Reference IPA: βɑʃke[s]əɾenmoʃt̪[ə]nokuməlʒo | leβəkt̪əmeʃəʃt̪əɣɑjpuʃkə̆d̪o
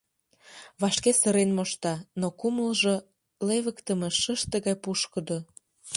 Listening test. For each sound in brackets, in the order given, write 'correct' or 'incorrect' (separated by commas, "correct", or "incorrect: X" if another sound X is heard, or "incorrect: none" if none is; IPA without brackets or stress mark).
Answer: correct, incorrect: ɑ